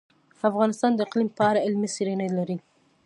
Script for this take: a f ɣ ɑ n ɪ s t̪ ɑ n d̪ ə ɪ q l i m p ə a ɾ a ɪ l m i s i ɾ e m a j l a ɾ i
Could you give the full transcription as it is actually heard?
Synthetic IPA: a f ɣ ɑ n ɪ s t̪ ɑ n d̪ ə ɪ q l i m p ə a ɾ a ɪ l m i s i ɾ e n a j l a ɾ i